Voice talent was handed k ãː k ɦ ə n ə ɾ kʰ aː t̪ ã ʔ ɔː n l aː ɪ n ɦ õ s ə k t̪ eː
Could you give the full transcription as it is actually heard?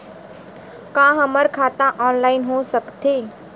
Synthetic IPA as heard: k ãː ɦ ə m ə ɾ kʰ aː t̪ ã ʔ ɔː n l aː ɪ n ɦ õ s ə k t̪ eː

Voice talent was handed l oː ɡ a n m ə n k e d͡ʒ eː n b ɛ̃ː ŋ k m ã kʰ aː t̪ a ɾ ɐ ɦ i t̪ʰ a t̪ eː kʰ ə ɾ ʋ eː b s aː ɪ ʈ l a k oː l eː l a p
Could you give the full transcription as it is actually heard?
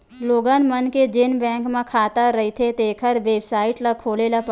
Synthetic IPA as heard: l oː ɡ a n m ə n k e d͡ʒ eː n b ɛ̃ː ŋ k m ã kʰ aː t̪ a ɾ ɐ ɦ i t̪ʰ e t̪ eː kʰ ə ɾ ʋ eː b s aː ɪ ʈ l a kʰ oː l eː l a p

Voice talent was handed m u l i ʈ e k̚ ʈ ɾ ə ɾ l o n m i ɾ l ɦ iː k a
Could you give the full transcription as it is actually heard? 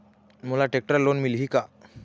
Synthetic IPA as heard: m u l a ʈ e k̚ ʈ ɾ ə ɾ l o n m i l ɦ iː k a

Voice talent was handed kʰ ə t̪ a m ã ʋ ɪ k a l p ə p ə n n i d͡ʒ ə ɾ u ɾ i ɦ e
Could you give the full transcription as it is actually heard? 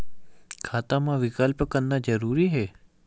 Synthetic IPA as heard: kʰ a t̪ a m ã ʋ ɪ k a l p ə k ə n n a d͡ʒ ə ɾ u ɾ i ɦ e

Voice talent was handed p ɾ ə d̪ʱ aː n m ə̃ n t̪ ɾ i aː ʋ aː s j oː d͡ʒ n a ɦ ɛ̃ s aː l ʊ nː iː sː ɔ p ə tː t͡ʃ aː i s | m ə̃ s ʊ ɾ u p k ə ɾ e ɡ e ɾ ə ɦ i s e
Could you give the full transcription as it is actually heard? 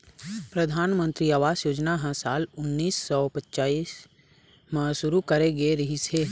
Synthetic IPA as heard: p ɾ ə d̪ʱ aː n m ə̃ n t̪ ɾ i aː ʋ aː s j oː d͡ʒ n a ɦ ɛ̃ s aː l ʊ nː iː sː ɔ p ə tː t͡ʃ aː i s | m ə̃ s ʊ ɾ u k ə ɾ e ɡ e ɾ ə ɦ i s e

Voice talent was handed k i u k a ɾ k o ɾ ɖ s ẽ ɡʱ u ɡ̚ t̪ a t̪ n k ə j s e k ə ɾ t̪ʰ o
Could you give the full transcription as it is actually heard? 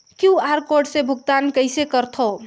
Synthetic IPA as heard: k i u a ɾ k o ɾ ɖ s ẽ bʱ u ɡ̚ t̪ a n k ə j s e k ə ɾ t̪ʰ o

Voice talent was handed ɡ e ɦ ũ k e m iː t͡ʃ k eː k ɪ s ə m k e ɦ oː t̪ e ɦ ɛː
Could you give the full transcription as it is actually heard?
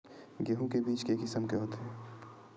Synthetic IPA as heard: ɡ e ɦ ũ k e b iː t͡ʃ k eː k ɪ s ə m k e ɦ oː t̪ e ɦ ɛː

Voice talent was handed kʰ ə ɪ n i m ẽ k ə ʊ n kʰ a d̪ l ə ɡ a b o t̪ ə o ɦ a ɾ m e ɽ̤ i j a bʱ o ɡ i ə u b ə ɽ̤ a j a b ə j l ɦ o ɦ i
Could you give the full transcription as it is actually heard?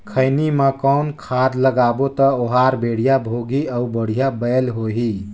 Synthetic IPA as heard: kʰ ə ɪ n i m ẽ k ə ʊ n kʰ a d̪ l ə ɡ a b o t̪ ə o ɦ a ɾ b e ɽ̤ i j a bʱ o ɡ i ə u b ə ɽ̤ i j a b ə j l ɦ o ɦ i

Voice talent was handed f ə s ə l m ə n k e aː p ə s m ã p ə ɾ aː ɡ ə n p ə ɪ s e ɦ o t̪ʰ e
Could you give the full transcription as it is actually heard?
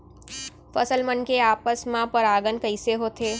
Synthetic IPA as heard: f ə s ə l m ə n k e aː p ə s m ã p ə ɾ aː ɡ ə n k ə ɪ s e ɦ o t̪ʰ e

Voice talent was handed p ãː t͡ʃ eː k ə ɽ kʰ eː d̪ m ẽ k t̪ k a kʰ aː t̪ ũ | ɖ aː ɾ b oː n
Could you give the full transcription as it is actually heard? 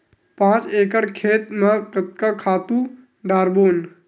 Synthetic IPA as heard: p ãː t͡ʃ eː k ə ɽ kʰ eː t̪ m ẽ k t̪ k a kʰ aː t̪ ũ | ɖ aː ɾ b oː n

